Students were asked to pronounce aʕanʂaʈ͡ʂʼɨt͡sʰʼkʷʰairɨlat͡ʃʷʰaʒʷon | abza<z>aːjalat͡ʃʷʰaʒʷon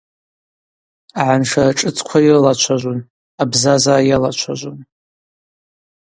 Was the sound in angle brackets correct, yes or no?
yes